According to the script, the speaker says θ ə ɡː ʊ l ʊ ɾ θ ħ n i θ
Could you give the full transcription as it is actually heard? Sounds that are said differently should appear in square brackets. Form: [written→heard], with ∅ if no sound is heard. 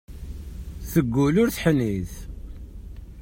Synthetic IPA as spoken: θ ə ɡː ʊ l ʊ ɾ θ ħ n i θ